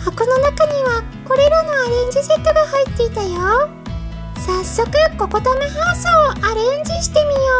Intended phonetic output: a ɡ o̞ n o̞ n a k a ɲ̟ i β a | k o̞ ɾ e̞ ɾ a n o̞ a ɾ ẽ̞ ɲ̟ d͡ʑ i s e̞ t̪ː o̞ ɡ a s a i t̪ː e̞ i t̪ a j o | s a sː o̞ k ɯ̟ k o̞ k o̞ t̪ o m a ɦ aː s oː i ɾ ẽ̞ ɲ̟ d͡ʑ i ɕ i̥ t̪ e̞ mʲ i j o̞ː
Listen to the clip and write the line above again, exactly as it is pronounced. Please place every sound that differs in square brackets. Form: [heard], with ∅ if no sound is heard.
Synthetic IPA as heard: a [k] o̞ n o̞ n a k a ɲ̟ i β a | k o̞ ɾ e̞ ɾ a n o̞ a ɾ ẽ̞ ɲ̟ d͡ʑ i s e̞ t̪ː o̞ ɡ a [h] a i t̪ː e̞ i t̪ a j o | s a sː o̞ k ɯ̟ k o̞ k o̞ t̪ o m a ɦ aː s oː [a] ɾ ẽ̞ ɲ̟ d͡ʑ i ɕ i̥ t̪ e̞ mʲ i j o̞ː

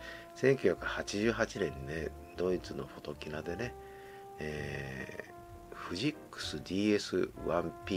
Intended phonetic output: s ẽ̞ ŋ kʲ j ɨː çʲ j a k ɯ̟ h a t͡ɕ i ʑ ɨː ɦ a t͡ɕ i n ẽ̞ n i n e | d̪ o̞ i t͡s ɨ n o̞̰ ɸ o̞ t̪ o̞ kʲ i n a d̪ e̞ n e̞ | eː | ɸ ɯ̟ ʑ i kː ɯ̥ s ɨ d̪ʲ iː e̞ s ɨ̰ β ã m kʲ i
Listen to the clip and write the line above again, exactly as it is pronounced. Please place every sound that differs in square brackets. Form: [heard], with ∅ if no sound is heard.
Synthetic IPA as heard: s ẽ̞ ŋ kʲ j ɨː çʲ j a k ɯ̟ h a t͡ɕ i ʑ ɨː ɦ a t͡ɕ i n ẽ̞ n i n e | d̪ o̞ i t͡s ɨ n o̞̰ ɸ o̞ t̪ o̞ kʲ i n a d̪ e̞ n e̞ | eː | ɸ ɯ̟ ʑ i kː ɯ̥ s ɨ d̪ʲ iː e̞ s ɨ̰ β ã m [pʲ] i

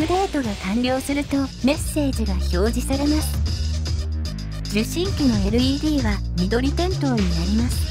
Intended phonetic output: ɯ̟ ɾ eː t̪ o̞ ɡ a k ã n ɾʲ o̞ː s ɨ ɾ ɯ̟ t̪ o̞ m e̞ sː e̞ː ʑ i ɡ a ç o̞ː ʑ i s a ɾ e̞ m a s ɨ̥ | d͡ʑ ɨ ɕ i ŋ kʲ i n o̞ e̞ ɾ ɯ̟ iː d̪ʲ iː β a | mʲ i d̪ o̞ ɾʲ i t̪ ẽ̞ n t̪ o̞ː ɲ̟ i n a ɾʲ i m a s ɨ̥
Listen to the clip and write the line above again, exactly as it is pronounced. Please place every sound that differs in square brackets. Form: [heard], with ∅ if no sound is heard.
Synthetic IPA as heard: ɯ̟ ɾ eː t̪ o̞ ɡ a k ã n ɾʲ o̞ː s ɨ ɾ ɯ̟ t̪ o̞ m e̞ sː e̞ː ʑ i ɡ a ç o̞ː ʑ i s a ɾ e̞ m a s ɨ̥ | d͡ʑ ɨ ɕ [ĩ] ŋ kʲ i n o̞ e̞ ɾ ɯ̟ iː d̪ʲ iː β a | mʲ i d̪ o̞ ɾʲ i t̪ ẽ̞ n t̪ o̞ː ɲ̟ i n a ɾʲ i m a s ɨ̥

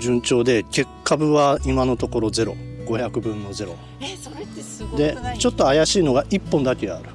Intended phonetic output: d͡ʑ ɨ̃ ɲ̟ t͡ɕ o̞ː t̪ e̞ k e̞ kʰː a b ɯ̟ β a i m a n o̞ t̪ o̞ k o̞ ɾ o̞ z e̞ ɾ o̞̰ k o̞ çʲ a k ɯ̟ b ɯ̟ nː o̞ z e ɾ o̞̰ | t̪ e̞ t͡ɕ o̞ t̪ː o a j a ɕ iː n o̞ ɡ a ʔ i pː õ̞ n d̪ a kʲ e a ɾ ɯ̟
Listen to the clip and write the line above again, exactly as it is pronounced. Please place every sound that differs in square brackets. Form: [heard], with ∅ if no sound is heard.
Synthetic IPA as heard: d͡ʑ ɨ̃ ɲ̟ t͡ɕ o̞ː [d̪] e̞ k e̞ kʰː a b ɯ̟ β a i m a n o̞ t̪ o̞ k o̞ ɾ o̞ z e̞ ɾ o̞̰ [ɡ] o̞ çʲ a k ɯ̟ b [ɯ̟̃] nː o̞ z e ɾ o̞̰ | [d̪] e̞ t͡ɕ o̞ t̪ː o a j a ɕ iː n o̞ ɡ a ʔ i pː õ̞ n d̪ a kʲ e a ɾ ɯ̟

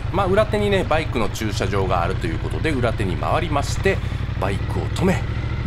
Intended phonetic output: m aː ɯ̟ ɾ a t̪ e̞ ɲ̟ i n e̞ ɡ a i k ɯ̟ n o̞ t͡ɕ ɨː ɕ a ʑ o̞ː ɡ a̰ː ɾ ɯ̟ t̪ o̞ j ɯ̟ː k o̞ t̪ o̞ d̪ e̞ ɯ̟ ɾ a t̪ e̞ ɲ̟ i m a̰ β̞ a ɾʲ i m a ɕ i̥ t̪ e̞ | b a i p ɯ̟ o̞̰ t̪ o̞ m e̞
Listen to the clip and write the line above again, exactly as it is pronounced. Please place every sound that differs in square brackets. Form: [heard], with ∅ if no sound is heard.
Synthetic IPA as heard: m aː ɯ̟ ɾ a t̪ e̞ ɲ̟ i n e̞ [b] a i k ɯ̟ n o̞ t͡ɕ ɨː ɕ a ʑ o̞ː ɡ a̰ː ɾ ɯ̟ t̪ o̞ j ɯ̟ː k o̞ t̪ o̞ d̪ e̞ ɯ̟ ɾ a t̪ e̞ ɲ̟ i m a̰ β̞ a ɾʲ i m a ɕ i̥ t̪ e̞ | b a i [k] ɯ̟ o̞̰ t̪ o̞ m e̞

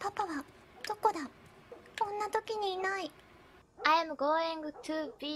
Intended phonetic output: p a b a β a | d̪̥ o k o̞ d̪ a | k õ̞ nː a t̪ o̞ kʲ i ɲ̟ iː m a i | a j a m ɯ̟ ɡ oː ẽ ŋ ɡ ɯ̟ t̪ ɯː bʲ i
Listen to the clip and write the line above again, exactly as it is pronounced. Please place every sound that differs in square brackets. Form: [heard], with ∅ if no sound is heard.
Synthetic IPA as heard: p a [p] a β a | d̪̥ o k o̞ d̪ a | k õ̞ nː a t̪ o̞ kʲ i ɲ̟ iː [n] a i | a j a m ɯ̟ ɡ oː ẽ ŋ ɡ ɯ̟ t̪ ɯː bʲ i

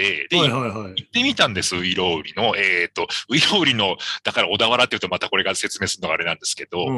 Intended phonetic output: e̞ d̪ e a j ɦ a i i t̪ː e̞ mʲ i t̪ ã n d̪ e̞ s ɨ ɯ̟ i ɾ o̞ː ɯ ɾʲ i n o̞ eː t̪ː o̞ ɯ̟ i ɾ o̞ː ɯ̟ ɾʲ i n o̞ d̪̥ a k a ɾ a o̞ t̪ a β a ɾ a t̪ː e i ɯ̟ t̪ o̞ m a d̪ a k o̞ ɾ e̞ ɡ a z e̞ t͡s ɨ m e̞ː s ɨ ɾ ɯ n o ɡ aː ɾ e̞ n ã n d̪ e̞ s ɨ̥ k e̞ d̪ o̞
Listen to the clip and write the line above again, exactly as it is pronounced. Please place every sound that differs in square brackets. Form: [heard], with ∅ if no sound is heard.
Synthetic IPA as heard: e̞ d̪ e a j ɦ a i i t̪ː e̞ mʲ i t̪ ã n d̪ e̞ s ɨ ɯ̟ i ɾ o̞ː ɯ ɾʲ i n o̞ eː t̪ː o̞ ɯ̟ i ɾ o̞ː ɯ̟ ɾʲ i n o̞ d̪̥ a k a ɾ a o̞ [d̪] a β a ɾ a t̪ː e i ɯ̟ t̪ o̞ m a [t̪] a k o̞ ɾ e̞ ɡ a [s] e̞ t͡s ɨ m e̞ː s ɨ ɾ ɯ n o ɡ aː ɾ e̞ n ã n d̪ e̞ s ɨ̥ k e̞ d̪ o̞

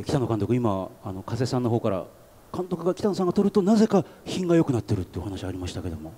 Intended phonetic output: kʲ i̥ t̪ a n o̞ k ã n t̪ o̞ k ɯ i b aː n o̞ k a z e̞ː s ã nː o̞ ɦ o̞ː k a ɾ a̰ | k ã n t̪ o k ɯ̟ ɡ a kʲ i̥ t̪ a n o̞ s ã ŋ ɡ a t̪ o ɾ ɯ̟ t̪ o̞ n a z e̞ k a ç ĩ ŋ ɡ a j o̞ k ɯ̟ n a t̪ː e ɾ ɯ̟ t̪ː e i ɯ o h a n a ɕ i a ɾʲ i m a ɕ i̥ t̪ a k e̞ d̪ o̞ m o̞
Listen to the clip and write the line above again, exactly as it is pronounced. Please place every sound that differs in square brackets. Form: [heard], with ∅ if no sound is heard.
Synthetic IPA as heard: kʲ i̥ t̪ a n o̞ k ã n t̪ o̞ k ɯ i [m] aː n o̞ k a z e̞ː s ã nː o̞ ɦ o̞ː k a ɾ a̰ | k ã n t̪ o k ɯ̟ ɡ a kʲ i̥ t̪ a n o̞ s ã ŋ ɡ a t̪ o ɾ ɯ̟ t̪ o̞ n a z e̞ k a ç ĩ ŋ ɡ a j o̞ k ɯ̟ n a t̪ː e ɾ ɯ̟ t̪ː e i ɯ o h a n a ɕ i a ɾʲ i m a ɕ i̥ t̪ a k e̞ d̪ o̞ m o̞

